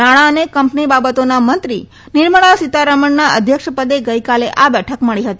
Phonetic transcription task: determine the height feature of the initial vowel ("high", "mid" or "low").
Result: low